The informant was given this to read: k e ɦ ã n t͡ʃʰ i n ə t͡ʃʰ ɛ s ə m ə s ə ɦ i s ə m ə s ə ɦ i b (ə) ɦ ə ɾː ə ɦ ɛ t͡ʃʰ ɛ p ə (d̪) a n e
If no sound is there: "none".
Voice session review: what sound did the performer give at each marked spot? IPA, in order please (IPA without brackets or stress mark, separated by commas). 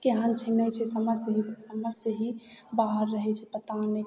a, t̪